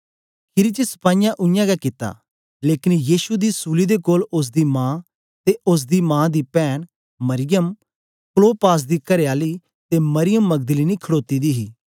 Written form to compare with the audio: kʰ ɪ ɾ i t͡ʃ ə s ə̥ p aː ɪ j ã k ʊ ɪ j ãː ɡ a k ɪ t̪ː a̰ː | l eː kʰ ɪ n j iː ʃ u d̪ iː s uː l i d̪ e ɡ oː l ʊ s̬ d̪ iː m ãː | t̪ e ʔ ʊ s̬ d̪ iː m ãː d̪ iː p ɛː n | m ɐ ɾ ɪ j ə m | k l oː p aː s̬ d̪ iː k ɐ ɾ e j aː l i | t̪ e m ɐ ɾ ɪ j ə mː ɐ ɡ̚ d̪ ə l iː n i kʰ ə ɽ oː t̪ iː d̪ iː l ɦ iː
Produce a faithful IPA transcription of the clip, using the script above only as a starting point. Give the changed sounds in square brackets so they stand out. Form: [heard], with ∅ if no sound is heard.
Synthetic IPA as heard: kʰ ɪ ɾ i t͡ʃ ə s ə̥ p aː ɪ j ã [ʔ] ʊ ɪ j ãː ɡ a k ɪ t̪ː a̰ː | l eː [k] ɪ n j iː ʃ u d̪ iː s uː l i d̪ e [k] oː l ʊ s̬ d̪ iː m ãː | t̪ e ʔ ʊ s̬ d̪ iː m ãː d̪ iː p ɛː n | m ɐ ɾ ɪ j ə m | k l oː p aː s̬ d̪ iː k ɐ ɾ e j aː l i | t̪ e m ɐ ɾ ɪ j ə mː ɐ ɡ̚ d̪ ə l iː n i kʰ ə ɽ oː t̪ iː d̪ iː [∅] ɦ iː